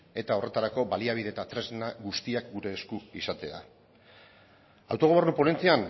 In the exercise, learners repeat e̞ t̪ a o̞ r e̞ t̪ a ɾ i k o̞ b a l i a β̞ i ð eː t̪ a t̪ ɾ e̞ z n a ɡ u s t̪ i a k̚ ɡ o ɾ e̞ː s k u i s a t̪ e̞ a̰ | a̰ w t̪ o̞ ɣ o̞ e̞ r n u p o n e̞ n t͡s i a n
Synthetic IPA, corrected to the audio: e̞ t̪ a o̞ r e̞ t̪ a ɾ a k o̞ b a l i a β̞ i ð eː t̪ a t̪ ɾ e̞ z n a ɡ u s t̪ i a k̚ ɡ u ɾ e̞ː s k u i s a t̪ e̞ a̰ | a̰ w t̪ o̞ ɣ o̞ e̞ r n u p o n e̞ n t͡s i a n